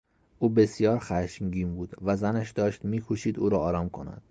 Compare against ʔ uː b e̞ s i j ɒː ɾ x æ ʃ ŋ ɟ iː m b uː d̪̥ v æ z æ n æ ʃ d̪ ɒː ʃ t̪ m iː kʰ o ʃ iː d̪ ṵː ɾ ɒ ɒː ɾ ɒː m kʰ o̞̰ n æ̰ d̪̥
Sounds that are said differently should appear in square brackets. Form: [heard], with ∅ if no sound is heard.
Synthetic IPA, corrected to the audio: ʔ uː b e̞ s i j ɒː ɾ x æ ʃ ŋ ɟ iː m b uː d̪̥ v æ z æ n æ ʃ d̪ ɒː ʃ t̪ m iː kʰ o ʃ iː d̪ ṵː ɾ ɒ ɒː ɾ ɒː m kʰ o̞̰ n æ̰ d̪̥